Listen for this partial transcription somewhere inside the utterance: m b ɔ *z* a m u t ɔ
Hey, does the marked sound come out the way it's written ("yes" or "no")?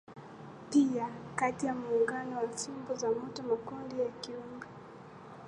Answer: yes